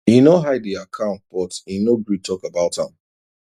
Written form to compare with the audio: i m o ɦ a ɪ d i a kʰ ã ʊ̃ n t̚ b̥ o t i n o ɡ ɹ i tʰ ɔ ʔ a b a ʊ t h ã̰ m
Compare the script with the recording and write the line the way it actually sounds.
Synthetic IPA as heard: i n o ɦ a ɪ d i a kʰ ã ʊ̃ n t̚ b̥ ɔ t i n o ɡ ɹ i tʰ ɔ k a b a ʊ t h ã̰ m